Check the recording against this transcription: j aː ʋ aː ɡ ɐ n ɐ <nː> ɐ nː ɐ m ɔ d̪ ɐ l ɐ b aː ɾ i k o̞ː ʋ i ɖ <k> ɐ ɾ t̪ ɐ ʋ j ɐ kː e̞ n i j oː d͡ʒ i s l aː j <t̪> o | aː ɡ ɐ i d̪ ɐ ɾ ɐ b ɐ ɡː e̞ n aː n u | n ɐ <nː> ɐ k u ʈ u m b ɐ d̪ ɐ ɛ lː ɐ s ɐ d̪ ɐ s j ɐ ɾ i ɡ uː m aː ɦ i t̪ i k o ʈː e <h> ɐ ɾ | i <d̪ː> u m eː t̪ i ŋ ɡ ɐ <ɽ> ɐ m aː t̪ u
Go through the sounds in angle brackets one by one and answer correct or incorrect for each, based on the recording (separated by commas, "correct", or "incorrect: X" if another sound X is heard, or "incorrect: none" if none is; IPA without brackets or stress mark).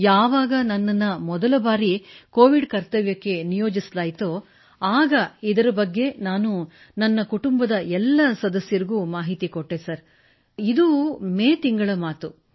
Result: correct, correct, correct, correct, incorrect: s, incorrect: d̪, incorrect: ɭ